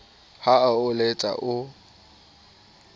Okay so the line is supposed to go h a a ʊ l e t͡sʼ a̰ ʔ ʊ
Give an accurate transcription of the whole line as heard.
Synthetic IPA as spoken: h a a ʊ l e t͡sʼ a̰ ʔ ʊ